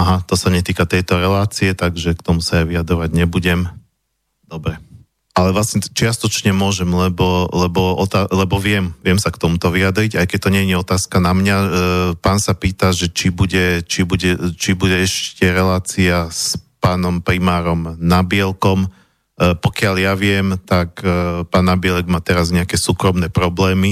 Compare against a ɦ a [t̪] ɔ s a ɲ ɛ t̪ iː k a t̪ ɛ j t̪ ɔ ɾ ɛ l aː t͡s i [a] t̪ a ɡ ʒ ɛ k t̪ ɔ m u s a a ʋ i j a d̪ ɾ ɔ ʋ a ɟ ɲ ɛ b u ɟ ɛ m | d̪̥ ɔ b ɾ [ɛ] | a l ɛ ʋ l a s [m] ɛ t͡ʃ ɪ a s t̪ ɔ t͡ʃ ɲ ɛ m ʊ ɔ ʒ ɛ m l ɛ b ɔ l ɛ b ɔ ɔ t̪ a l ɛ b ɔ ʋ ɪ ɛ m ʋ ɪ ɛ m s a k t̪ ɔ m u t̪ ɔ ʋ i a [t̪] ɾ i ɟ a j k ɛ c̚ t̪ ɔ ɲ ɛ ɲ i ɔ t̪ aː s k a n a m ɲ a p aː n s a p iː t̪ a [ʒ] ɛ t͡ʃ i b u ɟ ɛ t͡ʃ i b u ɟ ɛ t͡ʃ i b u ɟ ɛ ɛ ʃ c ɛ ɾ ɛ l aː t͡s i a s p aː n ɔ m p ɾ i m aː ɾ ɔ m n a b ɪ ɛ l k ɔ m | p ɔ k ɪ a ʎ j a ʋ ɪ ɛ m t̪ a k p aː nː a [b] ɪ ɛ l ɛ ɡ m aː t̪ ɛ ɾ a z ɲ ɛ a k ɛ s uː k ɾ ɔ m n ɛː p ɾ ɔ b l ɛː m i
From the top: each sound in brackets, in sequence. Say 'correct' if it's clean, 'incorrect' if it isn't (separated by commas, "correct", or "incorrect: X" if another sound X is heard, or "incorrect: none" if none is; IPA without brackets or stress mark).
correct, incorrect: ɛ, correct, incorrect: ɲ, incorrect: d̪, correct, correct